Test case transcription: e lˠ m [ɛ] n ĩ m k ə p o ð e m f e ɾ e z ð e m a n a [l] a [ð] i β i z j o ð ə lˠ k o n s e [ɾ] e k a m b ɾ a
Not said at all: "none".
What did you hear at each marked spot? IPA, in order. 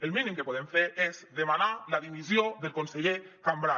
i, l, ð, ʎ

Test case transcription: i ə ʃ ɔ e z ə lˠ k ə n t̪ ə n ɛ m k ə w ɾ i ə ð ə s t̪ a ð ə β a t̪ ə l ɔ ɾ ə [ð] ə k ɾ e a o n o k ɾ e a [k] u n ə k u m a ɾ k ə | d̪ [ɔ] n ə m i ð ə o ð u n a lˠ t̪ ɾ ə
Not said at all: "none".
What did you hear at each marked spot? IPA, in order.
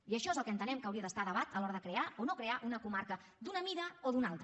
ð, ʔ, u

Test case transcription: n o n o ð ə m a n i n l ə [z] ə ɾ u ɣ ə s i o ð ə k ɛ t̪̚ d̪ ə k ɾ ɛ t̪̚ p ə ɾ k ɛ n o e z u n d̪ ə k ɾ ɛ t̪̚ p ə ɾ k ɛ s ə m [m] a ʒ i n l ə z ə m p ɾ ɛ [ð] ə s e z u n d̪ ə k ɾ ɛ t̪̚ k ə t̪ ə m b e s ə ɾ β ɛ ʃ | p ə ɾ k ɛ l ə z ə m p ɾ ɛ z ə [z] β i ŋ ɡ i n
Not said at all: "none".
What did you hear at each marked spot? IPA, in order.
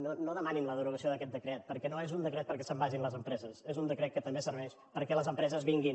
ð, b, z, z

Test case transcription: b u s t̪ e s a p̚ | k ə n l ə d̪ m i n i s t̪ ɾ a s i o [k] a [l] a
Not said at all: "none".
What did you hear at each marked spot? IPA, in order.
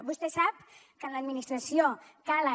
k, l

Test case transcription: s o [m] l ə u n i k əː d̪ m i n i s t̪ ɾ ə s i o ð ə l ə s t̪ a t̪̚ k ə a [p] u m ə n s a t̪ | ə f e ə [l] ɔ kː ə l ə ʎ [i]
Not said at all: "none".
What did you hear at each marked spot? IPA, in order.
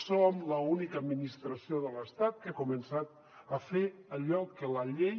m, k, ʎ, e

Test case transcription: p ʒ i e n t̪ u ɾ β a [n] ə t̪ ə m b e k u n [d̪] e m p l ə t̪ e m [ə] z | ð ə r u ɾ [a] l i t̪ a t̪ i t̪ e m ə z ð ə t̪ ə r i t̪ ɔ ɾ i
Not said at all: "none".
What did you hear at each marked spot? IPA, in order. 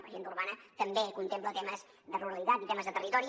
n, t̪, ə, ə

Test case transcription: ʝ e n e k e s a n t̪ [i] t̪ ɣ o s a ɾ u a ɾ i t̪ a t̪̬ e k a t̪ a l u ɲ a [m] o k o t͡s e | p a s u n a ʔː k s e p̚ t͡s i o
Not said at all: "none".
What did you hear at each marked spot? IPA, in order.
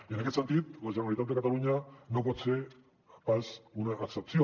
i, n

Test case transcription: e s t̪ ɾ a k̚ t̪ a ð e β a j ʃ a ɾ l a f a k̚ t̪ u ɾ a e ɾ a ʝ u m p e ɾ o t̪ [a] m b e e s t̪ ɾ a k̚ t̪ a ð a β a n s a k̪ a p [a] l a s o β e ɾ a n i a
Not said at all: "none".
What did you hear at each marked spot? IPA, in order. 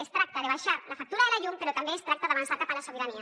a, a

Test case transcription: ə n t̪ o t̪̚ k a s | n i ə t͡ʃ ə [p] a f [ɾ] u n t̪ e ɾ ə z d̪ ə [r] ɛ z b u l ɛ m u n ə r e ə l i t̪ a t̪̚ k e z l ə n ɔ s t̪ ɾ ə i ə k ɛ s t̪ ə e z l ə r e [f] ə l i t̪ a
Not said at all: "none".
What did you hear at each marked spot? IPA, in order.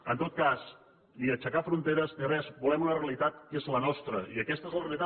k, ɾ, r, none

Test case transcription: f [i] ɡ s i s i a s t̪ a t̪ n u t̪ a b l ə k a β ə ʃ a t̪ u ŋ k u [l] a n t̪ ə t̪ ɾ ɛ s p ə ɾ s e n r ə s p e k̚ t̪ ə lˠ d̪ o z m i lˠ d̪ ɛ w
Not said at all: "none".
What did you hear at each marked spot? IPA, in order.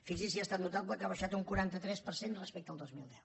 i, ɾ

